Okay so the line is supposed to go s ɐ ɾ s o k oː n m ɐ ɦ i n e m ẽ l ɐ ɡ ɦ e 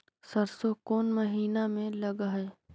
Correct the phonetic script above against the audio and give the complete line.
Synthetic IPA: s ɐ ɾ s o k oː n m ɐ ɦ iː n a m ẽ l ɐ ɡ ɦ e

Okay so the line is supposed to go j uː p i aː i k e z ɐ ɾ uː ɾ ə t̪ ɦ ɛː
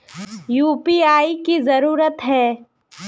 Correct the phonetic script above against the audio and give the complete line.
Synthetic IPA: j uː p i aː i k i z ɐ ɾ uː ɾ ə t̪ ɦ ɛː

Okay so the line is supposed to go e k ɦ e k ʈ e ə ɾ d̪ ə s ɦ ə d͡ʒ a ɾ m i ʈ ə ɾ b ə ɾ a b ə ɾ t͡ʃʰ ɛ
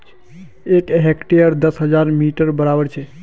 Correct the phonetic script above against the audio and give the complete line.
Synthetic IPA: e k ɦ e k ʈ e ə ɾ d̪ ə s ɦ ə d͡ʒ a ɾ m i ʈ ə ɾ b ə ɾ a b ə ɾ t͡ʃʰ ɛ

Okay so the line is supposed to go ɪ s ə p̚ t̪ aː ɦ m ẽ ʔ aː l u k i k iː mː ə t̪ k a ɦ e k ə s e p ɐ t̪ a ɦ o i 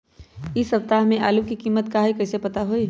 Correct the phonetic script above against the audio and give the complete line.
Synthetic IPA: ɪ s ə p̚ t̪ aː ɦ m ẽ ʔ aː l u k i k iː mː ə t̪ k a ɦ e k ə s e p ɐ t̪ a ɦ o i

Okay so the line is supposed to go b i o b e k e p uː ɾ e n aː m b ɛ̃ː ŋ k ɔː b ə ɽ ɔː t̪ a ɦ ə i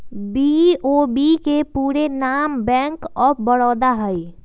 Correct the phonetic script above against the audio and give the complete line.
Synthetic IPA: b i o b i k e p uː ɾ e n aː m b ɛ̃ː ŋ k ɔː b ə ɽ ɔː d̪ a ɦ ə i

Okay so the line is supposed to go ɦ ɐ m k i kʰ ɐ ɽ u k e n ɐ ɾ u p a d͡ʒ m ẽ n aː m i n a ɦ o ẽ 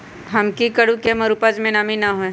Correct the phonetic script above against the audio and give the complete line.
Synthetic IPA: ɦ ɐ m k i k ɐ ɽ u k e m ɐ ɾ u p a d͡ʒ m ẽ n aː m i n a ɦ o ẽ

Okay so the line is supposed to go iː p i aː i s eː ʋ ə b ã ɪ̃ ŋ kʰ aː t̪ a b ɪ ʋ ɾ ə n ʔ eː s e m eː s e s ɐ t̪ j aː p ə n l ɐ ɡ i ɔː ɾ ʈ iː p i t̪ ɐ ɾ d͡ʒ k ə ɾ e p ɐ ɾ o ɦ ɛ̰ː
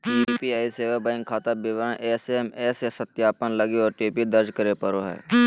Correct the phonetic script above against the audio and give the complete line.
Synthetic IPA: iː p i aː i s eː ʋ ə b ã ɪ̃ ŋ kʰ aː t̪ a b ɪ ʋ ɾ ə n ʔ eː s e m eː s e s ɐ t̪ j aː p ə n l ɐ ɡ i ɔː ɾ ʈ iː p i d̪ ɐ ɾ d͡ʒ k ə ɾ e p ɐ ɾ o ɦ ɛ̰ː

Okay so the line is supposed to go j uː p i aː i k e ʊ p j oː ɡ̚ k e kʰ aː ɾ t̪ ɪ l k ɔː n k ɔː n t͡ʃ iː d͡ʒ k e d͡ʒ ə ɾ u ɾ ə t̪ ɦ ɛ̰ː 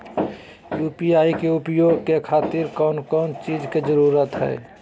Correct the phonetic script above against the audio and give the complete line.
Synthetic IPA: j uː p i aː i k e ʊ p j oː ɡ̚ k e kʰ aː t̪ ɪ ɾ k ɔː n k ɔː n t͡ʃ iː d͡ʒ k e d͡ʒ ə ɾ u ɾ ə t̪ ɦ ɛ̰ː

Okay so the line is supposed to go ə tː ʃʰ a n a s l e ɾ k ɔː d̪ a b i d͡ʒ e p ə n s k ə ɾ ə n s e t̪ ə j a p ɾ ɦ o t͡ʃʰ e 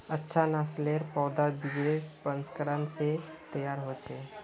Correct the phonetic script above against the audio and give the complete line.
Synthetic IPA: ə tː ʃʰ a n a s l e ɾ p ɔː d̪ a b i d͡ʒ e p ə n s k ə ɾ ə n s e t̪ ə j a ɾ ɦ o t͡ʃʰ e

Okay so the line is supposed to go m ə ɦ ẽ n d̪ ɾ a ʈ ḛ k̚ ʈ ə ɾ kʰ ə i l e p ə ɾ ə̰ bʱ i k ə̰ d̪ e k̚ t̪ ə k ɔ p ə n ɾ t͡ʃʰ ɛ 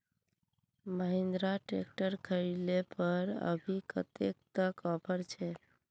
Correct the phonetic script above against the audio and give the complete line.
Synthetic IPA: m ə ɦ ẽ n d̪ ɾ a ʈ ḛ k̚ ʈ ə ɾ kʰ ə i l e p ə ɾ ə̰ bʱ i k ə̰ t̪ e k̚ t̪ ə k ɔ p ə ɾ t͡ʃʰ ɛ

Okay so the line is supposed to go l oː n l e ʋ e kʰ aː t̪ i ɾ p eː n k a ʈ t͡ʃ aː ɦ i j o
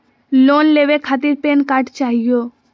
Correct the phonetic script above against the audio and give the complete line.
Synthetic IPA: l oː n l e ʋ e kʰ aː t̪ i ɾ p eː n k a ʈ t͡ʃ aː ɦ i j o

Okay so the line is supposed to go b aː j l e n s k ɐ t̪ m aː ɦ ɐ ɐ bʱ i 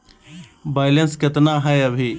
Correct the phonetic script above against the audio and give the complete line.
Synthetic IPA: b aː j l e n s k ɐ t̪ n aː ɦ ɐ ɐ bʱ i

